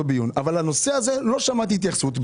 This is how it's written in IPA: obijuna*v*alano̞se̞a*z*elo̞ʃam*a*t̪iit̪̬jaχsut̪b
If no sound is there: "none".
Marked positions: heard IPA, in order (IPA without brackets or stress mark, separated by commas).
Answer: v, z, a